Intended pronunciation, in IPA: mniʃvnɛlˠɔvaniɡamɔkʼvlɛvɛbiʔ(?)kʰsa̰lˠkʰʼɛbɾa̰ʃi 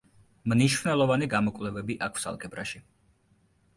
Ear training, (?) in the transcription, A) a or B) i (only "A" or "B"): A